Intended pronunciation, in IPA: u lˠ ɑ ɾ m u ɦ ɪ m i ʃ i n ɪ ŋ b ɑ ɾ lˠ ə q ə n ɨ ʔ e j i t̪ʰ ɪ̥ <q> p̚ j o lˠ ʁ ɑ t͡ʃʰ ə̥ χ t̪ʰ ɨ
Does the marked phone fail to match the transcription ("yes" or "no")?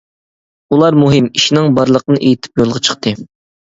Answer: yes